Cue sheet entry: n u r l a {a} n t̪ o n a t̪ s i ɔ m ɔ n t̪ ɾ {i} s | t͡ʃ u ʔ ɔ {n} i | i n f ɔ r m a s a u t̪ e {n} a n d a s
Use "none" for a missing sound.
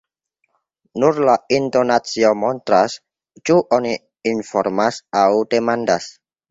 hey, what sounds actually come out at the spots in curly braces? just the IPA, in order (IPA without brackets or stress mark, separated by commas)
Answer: i, a, n, m